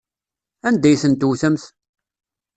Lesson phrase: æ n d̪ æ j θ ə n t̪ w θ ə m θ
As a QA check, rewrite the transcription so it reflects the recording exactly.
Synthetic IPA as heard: æ n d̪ æ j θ ə n t̪ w θ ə m θ